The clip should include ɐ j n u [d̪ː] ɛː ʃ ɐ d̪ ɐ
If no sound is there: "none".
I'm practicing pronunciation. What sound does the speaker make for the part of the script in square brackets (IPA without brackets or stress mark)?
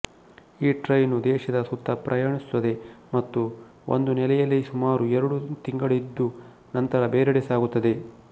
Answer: d̪